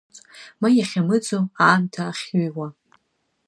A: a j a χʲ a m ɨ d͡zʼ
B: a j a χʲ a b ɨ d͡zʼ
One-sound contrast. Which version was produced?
A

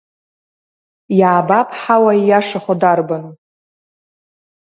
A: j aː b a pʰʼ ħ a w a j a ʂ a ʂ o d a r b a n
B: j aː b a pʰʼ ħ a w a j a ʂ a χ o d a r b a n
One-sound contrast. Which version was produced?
B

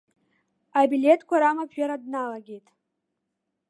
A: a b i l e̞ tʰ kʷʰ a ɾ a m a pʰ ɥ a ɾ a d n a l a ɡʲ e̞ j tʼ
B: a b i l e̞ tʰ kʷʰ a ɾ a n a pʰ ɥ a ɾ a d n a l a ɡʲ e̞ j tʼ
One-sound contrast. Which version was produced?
A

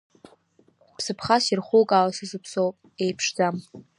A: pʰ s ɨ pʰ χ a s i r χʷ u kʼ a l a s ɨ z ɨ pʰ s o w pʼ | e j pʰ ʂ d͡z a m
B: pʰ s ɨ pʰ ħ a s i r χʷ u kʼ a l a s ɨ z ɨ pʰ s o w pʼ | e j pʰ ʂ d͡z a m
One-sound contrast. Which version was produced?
A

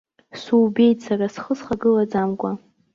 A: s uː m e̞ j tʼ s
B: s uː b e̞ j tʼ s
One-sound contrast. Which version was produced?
B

